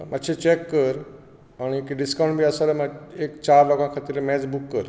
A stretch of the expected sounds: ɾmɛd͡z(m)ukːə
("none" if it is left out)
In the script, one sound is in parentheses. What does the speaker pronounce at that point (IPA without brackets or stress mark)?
b